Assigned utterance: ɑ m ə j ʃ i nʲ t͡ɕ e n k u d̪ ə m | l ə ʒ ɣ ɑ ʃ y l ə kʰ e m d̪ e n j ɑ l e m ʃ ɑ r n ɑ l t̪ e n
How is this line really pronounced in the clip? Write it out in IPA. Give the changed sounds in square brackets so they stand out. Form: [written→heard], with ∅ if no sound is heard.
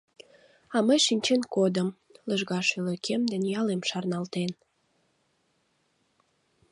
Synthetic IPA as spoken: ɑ m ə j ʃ i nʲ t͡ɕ e n k [u→o] d̪ ə m | l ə ʒ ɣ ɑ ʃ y l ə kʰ e m d̪ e n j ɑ l e m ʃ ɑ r n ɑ l t̪ e n

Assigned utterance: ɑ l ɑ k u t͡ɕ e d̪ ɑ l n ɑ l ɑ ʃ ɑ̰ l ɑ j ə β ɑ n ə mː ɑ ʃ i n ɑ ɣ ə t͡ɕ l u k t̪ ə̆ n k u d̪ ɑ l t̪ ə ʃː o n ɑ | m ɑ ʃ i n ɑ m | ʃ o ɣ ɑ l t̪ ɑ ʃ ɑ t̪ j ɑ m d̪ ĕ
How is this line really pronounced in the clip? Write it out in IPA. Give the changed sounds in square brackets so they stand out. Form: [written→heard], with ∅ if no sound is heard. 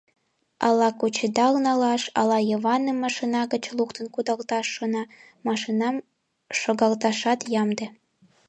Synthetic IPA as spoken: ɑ l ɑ k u t͡ɕ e d̪ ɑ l n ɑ l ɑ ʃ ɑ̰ l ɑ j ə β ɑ n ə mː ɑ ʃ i n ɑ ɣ ə t͡ɕ l u k t̪ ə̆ n k u d̪ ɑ l t̪ [ə→ɑ] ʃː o n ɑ | m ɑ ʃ i n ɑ m | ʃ o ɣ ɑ l t̪ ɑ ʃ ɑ t̪ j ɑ m d̪ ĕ

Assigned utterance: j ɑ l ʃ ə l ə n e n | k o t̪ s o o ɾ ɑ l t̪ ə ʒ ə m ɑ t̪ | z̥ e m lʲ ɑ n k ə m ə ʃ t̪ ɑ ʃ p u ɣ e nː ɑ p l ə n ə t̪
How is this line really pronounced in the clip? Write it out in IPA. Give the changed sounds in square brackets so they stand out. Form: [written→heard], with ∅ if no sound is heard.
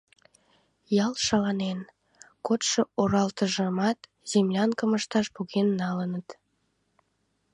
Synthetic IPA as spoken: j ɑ l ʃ [ə→ɑ] l [ə→ɑ] n e n | k o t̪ [s→ʃ] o o ɾ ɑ l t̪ ə ʒ ə m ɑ t̪ | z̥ e m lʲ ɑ n k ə m ə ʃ t̪ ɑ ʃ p u ɣ e nː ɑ [p→∅] l ə n ə t̪

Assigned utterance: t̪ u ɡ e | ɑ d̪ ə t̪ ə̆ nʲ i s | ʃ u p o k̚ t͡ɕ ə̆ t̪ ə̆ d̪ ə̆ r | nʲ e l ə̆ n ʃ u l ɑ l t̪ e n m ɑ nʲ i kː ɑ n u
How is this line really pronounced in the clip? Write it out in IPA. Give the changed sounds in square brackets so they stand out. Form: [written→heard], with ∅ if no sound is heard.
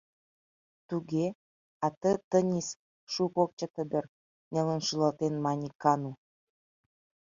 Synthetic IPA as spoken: t̪ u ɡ e | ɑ [d̪→t̪] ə t̪ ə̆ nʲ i s | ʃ u [p→k] o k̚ t͡ɕ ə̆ t̪ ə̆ d̪ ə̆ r | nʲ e l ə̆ n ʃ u l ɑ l t̪ e n m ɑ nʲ i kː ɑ n u

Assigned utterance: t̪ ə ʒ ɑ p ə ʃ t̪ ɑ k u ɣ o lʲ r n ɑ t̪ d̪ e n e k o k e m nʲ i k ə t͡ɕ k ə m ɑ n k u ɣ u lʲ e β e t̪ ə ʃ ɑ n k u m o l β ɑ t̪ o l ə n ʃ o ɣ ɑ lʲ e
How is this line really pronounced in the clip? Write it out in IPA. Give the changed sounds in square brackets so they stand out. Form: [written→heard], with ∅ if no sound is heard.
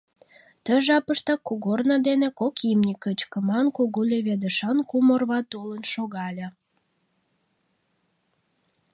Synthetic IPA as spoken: t̪ ə ʒ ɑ p ə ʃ t̪ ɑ k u ɣ o [lʲ→∅] r n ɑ [t̪→∅] d̪ e n e k o k [e→i] m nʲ i k ə t͡ɕ k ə m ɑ n k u ɣ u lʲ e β e [t̪→d̪] ə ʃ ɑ n k u m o [l→r] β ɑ t̪ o l ə n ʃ o ɣ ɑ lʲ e

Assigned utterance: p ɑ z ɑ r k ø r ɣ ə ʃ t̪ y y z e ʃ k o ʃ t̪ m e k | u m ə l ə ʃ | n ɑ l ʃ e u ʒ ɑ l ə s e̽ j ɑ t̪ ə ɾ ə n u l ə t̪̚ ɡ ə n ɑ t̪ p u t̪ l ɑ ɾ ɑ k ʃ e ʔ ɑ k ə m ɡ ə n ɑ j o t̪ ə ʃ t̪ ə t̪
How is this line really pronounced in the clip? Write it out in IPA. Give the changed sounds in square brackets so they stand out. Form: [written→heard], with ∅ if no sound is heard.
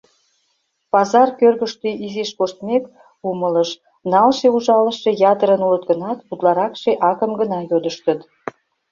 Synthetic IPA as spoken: p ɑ z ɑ r k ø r ɣ ə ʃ t̪ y [y→i] z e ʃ k o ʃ t̪ m e k | u m ə l ə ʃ | n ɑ l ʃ e u ʒ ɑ l ə [s→ʃ] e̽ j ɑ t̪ ə ɾ ə n u l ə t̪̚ ɡ ə n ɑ t̪ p u t̪ l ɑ ɾ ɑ k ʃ e ʔ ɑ k ə m ɡ ə n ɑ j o [t̪→d̪] ə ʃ t̪ ə t̪

